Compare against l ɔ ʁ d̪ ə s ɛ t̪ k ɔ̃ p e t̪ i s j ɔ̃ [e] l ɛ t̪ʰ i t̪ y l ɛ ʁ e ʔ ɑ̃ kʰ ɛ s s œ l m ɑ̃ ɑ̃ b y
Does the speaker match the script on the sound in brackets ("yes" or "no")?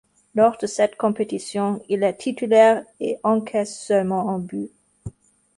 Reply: no